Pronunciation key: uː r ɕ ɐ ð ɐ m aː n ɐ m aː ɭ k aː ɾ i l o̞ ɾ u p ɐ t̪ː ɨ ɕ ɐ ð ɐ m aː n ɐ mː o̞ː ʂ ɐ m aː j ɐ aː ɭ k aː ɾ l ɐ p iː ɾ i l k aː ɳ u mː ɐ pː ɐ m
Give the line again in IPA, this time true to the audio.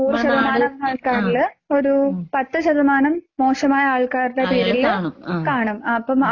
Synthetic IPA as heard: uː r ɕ ɐ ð ɐ m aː n ɐ m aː ɭ k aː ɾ i l o̞ ɾ u p ɐ t̪ː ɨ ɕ ɐ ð ɐ m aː n ɐ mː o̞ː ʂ ɐ m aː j ɐ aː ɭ k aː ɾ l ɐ p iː ɾ i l k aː ɳ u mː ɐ pː ɐ m